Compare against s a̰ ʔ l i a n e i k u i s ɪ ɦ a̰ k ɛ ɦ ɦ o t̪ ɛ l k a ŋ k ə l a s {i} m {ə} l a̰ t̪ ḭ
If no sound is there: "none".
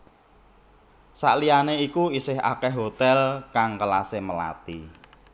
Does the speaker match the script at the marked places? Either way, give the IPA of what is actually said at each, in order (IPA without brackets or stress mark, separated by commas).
e, ə